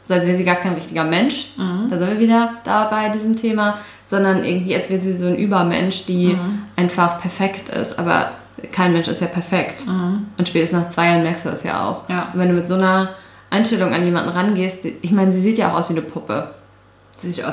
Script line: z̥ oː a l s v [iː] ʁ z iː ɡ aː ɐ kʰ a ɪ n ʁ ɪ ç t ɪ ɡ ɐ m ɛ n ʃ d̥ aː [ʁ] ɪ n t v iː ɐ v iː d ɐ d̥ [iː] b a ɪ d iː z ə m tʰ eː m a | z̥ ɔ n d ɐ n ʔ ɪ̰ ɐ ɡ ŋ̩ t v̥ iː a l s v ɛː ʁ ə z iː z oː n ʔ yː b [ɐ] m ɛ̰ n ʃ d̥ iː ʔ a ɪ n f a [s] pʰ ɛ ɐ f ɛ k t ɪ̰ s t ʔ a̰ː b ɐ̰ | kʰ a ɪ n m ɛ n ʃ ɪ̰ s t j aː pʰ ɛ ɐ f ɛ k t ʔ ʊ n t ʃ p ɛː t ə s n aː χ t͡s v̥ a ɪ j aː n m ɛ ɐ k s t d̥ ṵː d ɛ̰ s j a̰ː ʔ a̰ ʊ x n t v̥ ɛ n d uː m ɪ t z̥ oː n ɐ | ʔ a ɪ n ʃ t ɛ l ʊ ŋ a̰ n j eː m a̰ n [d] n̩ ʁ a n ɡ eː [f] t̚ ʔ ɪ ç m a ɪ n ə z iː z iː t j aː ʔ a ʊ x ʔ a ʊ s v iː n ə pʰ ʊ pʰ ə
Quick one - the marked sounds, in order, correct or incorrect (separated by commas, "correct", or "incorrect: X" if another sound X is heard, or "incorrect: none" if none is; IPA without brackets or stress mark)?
incorrect: ɛː, incorrect: z, incorrect: aː, correct, incorrect: χ, correct, incorrect: s